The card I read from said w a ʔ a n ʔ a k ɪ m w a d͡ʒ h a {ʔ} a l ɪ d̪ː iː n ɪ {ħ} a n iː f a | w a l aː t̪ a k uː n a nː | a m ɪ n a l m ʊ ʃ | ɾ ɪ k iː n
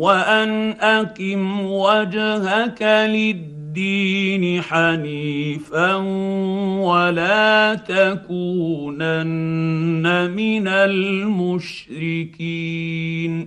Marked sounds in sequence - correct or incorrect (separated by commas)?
incorrect, correct